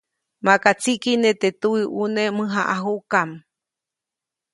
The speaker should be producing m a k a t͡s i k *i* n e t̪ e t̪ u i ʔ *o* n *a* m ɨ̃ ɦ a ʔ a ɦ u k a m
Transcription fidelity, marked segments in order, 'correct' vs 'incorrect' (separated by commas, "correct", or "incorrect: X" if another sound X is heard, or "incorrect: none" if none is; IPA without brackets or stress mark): correct, incorrect: u, incorrect: e